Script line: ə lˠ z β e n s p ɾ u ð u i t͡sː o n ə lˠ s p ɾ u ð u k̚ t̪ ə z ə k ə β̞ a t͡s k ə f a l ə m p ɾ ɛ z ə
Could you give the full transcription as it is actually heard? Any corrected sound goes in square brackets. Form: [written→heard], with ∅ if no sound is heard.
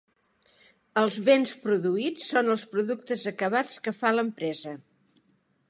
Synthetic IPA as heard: ə lˠ z β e n s p ɾ u ð u i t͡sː o n ə lˠ s p ɾ u ð u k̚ t̪ ə z ə k ə β̞ a t͡s k ə f a l ə m p ɾ ɛ z ə